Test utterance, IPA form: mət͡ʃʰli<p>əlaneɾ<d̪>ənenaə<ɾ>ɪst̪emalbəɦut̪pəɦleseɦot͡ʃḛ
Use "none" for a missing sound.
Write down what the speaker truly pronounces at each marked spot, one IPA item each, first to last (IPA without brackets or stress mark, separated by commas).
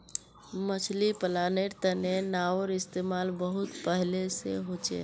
p, t̪, ɾ